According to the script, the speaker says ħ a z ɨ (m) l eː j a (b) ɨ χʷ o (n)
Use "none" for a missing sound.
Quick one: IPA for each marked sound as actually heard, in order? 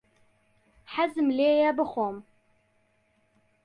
m, b, m

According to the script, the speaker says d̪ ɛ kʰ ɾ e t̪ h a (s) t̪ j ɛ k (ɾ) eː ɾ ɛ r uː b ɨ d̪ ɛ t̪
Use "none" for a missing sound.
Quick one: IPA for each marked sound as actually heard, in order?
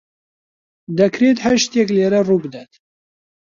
ʃ, l

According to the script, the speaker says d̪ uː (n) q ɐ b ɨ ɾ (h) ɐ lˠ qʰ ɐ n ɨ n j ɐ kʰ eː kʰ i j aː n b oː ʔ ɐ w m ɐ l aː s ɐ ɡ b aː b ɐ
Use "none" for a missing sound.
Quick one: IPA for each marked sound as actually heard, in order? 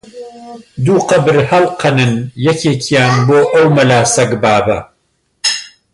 none, h

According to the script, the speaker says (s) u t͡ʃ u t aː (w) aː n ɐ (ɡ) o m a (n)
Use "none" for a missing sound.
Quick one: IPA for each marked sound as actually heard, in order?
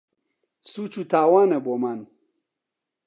s, w, b, n

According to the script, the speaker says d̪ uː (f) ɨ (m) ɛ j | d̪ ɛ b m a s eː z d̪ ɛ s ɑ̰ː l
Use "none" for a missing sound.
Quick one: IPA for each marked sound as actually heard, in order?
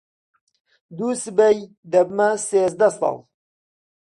s, b

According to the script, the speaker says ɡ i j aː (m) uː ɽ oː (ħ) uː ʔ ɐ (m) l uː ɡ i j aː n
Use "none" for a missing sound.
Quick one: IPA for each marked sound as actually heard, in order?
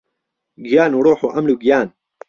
n, ħ, m

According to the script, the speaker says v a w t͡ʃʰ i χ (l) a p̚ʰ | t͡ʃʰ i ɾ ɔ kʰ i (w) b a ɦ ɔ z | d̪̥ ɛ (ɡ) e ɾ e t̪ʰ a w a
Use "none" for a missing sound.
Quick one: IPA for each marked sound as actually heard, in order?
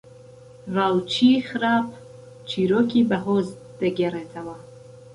ɾ, none, ɡ

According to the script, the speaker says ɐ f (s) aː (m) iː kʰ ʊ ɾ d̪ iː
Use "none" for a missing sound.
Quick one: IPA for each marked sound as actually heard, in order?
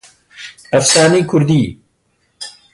s, n

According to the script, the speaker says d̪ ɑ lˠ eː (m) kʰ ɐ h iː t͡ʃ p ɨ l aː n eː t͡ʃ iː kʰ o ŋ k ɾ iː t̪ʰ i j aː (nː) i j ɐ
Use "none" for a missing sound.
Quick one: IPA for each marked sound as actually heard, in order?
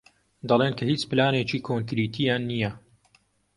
n, nː

